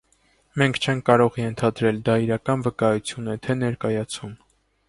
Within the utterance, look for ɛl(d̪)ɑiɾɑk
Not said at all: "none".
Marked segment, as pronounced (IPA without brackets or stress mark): d̪